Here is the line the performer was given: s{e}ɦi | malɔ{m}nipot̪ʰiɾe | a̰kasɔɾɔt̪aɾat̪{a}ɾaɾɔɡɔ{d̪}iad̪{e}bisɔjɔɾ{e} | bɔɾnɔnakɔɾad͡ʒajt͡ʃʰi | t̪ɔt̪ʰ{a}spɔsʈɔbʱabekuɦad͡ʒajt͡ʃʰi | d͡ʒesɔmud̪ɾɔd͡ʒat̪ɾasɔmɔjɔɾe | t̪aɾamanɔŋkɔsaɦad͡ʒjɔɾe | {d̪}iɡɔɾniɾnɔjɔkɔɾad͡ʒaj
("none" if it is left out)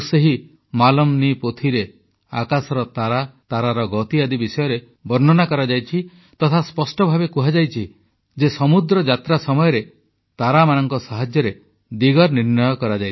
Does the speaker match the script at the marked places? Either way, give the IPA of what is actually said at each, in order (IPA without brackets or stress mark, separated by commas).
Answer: e, m, a, t̪, i, e, a, d̪